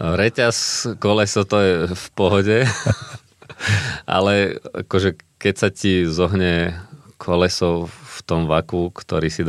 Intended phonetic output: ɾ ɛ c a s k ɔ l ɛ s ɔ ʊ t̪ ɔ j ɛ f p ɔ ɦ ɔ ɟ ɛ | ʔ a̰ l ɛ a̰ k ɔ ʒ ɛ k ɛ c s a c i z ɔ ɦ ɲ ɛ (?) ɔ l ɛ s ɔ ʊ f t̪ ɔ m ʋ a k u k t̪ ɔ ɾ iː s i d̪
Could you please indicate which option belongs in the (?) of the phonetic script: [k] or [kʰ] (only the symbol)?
kʰ